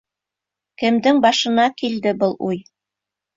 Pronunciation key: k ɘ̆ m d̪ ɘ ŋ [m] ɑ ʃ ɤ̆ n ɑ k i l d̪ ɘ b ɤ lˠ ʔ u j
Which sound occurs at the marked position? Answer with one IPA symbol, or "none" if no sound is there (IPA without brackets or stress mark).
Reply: b